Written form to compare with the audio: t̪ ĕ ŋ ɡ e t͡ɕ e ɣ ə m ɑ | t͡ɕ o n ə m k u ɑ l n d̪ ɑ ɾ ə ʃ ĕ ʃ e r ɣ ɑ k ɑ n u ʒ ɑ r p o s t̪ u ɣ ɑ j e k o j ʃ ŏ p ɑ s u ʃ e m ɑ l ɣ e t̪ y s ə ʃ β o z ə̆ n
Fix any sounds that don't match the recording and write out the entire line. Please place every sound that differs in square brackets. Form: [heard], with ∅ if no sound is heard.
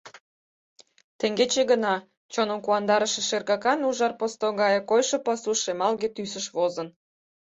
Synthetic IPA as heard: t̪ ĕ ŋ ɡ e t͡ɕ e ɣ ə [n] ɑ | t͡ɕ o n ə m k u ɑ [∅] n d̪ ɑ ɾ ə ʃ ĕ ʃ e r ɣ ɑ k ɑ n u ʒ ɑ r p o s t̪ [o] ɣ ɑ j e k o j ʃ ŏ p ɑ s u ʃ e m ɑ l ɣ e t̪ y s ə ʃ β o z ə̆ n